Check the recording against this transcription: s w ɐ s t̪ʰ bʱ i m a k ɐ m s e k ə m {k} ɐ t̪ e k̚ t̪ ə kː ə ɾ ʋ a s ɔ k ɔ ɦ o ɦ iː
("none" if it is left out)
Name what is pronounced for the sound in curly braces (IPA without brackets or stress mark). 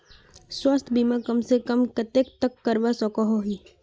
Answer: k